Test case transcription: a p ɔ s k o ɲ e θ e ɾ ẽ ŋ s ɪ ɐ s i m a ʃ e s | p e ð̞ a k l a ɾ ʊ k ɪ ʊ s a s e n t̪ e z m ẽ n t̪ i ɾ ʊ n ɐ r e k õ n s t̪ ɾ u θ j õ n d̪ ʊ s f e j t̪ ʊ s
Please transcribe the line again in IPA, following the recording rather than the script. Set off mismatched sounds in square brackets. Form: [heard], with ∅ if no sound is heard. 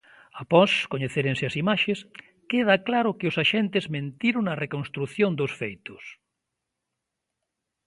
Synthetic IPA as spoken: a p ɔ s k o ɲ e θ e ɾ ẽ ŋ s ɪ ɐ s i m a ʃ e s | [k] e ð̞ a k l a ɾ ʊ k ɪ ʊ s a [ʃ] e n t̪ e z m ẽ n t̪ i ɾ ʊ n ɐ r e k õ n s t̪ ɾ u θ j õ n d̪ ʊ s f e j t̪ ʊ s